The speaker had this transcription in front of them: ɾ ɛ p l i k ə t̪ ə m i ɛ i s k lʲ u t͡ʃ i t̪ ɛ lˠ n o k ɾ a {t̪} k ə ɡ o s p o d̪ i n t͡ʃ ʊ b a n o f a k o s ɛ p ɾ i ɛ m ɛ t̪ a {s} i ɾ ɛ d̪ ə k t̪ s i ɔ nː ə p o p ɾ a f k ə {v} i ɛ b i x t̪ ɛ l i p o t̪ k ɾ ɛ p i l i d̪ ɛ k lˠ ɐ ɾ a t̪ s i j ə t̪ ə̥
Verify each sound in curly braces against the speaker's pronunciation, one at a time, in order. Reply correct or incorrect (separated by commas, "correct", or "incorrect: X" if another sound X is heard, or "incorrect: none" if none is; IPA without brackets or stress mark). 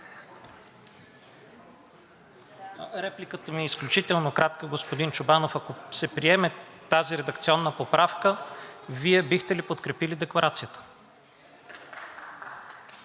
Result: correct, incorrect: z, correct